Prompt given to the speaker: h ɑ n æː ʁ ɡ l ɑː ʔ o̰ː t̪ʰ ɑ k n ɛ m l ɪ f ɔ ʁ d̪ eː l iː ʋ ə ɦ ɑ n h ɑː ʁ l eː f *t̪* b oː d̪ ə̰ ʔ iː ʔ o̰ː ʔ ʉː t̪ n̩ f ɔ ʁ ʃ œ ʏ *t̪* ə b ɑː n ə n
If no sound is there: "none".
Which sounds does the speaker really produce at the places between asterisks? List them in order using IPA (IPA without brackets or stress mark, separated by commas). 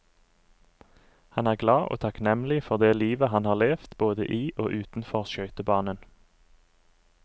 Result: t̪, t̪